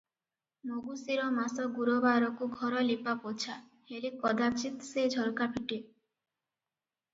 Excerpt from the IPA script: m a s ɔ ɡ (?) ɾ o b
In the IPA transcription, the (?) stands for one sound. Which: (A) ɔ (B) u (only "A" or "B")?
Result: B